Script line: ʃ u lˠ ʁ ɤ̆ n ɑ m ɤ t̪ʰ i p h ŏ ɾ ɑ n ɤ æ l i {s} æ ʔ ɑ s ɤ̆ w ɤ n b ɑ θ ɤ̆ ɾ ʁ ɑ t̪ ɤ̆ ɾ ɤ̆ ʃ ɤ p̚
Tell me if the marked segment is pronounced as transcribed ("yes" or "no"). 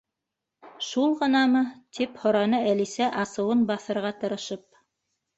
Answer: yes